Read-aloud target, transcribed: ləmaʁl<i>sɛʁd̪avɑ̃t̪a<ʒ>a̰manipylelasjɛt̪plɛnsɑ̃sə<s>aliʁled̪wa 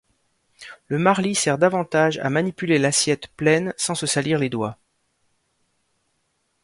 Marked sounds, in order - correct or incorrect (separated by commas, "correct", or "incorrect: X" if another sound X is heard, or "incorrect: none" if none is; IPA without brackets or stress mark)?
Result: correct, correct, correct